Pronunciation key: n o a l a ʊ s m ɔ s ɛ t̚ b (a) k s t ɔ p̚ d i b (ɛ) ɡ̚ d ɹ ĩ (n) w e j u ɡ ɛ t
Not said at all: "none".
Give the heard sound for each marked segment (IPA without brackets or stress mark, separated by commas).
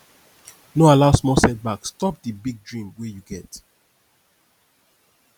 a, i, m